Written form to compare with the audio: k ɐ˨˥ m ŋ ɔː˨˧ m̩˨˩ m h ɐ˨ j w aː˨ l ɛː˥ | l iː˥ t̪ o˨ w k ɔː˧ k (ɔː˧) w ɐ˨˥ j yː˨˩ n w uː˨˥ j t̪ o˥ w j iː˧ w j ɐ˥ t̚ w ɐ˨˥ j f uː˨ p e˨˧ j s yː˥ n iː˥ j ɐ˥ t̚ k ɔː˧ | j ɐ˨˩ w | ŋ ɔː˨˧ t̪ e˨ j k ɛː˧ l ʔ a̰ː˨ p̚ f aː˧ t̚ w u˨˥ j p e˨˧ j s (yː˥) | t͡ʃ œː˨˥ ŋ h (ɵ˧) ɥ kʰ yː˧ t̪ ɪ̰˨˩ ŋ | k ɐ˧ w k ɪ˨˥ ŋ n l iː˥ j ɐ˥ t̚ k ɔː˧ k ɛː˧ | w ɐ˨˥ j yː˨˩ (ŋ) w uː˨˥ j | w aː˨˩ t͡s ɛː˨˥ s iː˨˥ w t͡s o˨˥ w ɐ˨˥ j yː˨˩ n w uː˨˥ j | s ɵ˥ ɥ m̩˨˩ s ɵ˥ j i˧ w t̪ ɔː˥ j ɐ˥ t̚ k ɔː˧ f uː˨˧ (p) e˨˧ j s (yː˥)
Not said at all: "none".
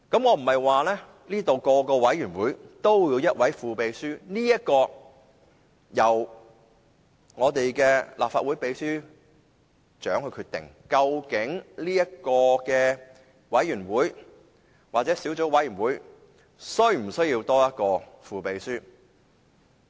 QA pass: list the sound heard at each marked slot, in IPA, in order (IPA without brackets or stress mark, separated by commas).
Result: ɔː˧, yː˥, ɵ˧, n, p, yː˥